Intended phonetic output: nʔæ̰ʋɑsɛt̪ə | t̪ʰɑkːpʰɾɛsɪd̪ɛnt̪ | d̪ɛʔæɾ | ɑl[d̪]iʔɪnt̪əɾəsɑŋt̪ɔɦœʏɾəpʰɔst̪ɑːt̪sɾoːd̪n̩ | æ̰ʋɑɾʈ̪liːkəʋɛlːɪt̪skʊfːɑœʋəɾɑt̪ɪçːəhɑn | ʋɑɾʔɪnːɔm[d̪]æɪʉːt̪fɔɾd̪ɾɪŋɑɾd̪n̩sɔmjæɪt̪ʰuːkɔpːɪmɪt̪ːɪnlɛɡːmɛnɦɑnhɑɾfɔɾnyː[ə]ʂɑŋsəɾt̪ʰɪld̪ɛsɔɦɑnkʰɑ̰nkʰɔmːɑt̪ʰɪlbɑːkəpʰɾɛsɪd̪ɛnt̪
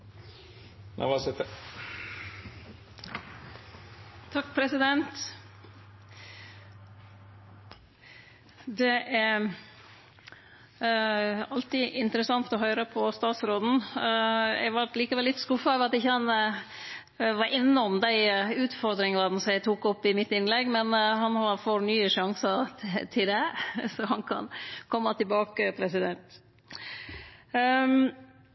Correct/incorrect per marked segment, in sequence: incorrect, correct, correct

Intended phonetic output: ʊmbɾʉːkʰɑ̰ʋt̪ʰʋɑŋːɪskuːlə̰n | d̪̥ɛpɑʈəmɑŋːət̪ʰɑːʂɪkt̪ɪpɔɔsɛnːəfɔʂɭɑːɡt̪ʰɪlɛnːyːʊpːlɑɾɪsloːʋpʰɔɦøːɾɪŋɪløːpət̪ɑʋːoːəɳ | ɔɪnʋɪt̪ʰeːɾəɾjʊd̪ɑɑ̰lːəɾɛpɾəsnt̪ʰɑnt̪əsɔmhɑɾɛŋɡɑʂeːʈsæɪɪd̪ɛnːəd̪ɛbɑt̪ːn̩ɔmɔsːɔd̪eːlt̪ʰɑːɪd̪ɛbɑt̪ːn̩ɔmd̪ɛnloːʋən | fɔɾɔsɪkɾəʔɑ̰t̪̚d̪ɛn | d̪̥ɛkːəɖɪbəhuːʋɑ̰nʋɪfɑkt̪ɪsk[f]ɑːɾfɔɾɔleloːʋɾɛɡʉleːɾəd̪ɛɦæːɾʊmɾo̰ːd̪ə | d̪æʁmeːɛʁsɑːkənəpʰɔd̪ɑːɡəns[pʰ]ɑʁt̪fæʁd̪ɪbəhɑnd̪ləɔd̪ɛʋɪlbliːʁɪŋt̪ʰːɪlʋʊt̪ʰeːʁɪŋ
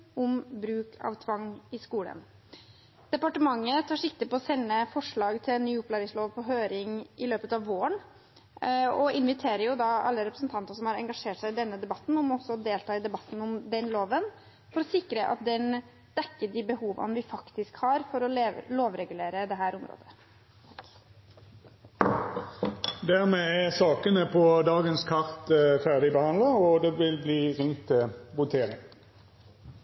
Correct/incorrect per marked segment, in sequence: incorrect, incorrect

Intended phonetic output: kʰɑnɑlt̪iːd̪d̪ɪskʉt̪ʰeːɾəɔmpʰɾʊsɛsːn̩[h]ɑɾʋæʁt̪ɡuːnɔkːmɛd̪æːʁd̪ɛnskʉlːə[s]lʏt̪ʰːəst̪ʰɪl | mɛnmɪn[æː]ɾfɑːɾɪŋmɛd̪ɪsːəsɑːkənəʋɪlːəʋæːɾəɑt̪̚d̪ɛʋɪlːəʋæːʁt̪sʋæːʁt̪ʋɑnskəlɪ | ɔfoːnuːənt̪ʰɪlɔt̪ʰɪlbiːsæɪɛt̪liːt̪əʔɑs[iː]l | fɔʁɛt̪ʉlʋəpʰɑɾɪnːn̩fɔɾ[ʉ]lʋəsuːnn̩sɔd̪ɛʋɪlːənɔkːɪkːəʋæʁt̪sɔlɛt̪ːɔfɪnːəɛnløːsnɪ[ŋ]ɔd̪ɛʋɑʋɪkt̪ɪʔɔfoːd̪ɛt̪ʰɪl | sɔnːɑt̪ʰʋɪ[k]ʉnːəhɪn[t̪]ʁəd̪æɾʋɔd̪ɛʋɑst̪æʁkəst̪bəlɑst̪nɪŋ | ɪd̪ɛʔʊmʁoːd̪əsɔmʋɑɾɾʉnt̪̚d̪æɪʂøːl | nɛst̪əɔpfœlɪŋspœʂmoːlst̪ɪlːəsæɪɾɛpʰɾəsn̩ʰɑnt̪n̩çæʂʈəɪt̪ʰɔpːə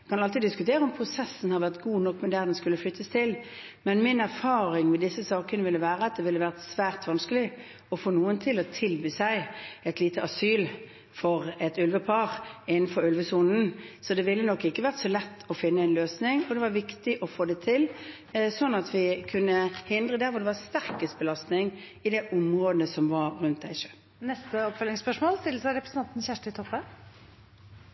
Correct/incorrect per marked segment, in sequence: correct, incorrect, incorrect, incorrect, correct, correct, incorrect, incorrect

